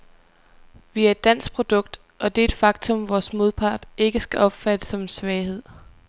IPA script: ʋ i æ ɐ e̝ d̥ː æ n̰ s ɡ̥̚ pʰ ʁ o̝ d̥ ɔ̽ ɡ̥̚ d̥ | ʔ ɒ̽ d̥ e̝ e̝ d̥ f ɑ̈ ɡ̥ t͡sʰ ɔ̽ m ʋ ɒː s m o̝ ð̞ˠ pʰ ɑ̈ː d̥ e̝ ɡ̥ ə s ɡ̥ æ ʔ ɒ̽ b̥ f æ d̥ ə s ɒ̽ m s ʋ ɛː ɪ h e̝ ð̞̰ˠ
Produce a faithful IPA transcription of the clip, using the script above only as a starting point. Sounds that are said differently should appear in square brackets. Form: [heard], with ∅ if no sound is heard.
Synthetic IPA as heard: ʋ i æ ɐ e̝ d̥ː æ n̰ s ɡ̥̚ pʰ ʁ o̝ d̥ ɔ̽ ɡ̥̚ d̥ | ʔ ɒ̽ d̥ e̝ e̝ d̥ f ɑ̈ ɡ̥ t͡sʰ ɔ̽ m ʋ ɒː s m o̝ ð̞ˠ pʰ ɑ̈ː d̥ e̝ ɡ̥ ə s ɡ̥ æ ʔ ɒ̽ b̥ f æ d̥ ə s ɒ̽ m s ʋ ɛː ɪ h e̝ ð̞̰ˠ